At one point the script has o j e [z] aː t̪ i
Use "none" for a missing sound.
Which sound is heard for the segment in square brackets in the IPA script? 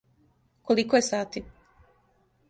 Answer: s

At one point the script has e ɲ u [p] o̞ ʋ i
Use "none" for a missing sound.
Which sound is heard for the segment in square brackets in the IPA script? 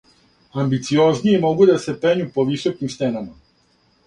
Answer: p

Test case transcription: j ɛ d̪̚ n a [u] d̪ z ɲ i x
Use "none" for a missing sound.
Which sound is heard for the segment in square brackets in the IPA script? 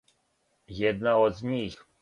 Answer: ɔ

